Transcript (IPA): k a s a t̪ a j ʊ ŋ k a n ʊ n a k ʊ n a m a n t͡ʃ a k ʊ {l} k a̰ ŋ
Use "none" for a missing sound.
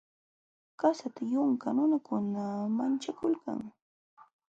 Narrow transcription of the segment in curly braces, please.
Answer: l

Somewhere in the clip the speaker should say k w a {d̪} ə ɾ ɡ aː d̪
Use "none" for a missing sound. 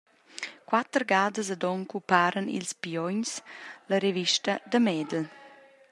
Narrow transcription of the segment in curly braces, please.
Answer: t̪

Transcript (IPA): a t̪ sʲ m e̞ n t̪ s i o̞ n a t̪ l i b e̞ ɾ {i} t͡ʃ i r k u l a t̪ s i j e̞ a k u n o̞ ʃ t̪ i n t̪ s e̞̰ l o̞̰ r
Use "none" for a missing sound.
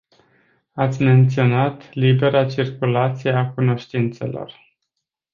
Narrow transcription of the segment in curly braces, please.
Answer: a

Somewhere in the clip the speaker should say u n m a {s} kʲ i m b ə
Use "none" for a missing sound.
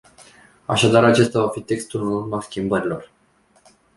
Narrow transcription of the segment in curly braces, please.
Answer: s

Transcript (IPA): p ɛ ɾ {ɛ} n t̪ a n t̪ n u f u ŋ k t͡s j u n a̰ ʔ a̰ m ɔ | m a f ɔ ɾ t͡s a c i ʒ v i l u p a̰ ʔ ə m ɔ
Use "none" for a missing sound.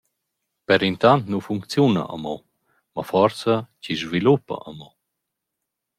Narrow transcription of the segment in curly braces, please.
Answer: i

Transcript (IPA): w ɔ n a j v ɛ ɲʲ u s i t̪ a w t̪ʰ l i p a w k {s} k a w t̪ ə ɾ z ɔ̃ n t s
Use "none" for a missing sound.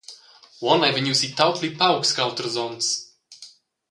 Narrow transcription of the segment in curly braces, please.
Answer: s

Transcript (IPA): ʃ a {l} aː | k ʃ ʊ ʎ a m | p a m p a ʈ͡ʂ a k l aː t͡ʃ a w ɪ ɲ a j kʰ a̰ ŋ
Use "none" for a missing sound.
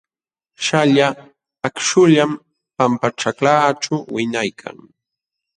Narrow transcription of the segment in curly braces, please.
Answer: ʎ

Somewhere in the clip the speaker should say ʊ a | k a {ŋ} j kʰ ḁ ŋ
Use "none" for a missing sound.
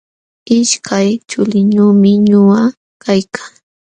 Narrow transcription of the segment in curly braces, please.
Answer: none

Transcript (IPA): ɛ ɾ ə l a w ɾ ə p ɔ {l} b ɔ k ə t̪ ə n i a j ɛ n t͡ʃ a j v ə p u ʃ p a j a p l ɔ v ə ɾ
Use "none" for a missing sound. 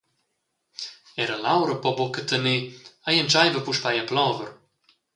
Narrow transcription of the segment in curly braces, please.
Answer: none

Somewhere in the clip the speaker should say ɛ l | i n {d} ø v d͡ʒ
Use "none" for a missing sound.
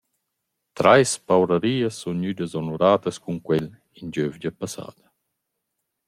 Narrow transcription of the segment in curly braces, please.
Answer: d͡ʒ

